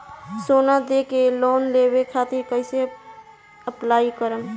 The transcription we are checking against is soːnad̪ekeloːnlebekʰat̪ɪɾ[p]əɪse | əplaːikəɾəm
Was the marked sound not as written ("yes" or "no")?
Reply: yes